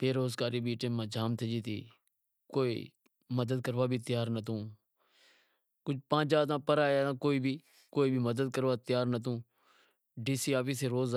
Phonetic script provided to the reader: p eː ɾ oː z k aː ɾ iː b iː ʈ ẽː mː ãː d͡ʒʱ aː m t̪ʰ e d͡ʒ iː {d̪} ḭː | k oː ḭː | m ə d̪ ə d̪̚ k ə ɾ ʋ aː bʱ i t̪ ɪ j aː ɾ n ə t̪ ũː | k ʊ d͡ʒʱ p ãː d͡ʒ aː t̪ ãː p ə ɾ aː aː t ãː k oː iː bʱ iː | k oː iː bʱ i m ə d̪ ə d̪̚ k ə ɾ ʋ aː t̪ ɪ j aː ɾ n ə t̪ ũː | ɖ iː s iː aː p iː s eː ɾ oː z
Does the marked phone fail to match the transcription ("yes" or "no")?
yes